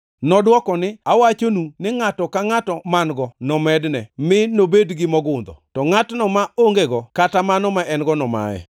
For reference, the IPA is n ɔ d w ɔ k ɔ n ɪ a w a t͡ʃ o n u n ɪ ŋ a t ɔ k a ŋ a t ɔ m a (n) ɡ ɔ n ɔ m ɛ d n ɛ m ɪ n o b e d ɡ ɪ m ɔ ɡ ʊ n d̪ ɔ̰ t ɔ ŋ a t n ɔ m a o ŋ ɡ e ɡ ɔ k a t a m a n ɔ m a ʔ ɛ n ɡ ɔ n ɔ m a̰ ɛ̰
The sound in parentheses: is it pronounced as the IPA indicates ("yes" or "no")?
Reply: yes